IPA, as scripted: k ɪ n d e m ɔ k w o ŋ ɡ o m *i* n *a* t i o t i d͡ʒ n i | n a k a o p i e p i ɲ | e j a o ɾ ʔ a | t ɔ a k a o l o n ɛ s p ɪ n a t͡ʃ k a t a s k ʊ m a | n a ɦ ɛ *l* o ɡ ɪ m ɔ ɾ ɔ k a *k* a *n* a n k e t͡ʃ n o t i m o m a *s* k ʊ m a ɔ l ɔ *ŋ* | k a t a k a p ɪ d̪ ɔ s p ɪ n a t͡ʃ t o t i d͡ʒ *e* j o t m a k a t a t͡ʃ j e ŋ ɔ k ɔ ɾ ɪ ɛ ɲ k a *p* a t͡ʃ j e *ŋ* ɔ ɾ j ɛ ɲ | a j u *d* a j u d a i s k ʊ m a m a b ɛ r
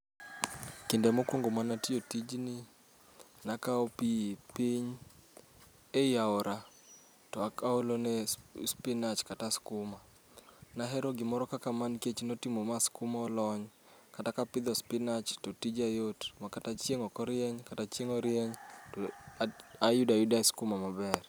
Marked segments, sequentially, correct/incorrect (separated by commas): incorrect, correct, incorrect, correct, incorrect, correct, incorrect, incorrect, incorrect, correct, correct